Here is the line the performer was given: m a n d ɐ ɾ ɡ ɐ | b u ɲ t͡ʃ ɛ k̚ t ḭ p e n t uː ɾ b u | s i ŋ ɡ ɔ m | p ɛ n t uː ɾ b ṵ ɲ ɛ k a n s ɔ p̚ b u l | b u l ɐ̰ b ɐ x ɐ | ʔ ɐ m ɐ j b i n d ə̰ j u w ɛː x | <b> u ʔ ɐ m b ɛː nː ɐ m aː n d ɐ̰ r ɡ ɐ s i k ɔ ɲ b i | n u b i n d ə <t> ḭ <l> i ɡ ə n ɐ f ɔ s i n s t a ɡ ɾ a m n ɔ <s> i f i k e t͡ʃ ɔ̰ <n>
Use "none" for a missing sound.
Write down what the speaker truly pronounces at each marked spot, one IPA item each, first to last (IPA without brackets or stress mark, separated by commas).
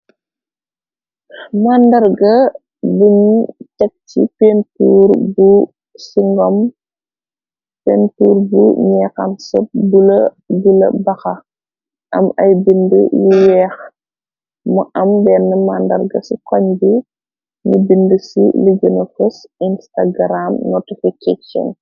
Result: m, s, l, t, n